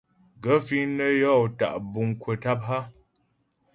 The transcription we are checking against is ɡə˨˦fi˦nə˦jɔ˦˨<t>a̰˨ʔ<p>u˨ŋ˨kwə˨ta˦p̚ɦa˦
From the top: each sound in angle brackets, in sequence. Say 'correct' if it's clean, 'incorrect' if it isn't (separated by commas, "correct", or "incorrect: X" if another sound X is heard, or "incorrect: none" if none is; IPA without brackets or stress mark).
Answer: correct, incorrect: b